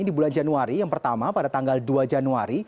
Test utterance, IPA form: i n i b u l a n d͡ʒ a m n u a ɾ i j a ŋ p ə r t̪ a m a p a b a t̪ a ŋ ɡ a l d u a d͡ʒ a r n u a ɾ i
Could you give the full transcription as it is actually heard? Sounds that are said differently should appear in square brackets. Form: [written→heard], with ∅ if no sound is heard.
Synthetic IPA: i [n→d] i b u l a n d͡ʒ a [m→∅] n u a ɾ i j a ŋ p ə r t̪ a m a p a [b→d] a t̪ a ŋ ɡ a l d u a d͡ʒ a [r→∅] n u a ɾ i